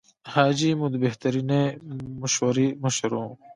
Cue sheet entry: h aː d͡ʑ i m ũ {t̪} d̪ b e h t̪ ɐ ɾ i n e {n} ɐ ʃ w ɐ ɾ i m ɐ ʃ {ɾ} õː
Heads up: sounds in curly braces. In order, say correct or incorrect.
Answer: incorrect: none, incorrect: m, correct

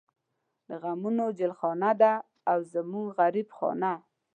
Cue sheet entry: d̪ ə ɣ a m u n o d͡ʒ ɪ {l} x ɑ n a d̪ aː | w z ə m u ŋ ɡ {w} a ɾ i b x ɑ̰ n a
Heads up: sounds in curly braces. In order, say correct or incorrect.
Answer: correct, incorrect: ɣ

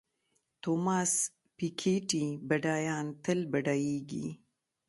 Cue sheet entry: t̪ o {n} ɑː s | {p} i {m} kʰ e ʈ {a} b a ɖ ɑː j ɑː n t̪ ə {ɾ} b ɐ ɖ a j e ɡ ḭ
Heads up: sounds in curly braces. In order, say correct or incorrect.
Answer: incorrect: m, correct, incorrect: none, incorrect: i, incorrect: l

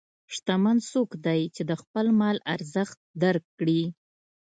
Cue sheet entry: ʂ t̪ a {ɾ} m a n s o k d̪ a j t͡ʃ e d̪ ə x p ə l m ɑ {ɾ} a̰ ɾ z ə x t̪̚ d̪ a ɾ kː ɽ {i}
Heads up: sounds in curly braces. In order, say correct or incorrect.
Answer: incorrect: none, incorrect: l, correct

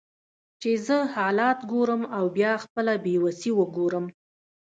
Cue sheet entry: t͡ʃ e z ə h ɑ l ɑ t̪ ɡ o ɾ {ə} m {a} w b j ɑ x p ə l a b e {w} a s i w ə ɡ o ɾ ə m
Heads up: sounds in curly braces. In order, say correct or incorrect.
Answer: correct, correct, correct

